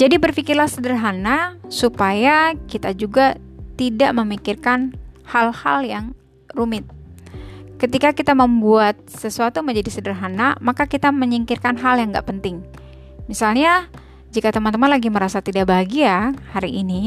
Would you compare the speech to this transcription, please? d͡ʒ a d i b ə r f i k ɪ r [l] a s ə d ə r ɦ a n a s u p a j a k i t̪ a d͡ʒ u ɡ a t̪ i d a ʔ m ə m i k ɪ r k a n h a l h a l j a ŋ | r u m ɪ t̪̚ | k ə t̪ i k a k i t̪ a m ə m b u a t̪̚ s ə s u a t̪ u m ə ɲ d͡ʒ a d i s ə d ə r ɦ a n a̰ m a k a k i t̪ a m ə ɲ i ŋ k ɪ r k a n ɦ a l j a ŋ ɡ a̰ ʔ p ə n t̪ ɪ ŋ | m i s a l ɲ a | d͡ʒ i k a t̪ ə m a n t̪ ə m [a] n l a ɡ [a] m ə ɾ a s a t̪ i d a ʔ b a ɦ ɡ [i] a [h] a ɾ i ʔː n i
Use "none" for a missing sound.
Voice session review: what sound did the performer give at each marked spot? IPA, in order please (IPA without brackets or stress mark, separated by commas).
l, a, i, i, h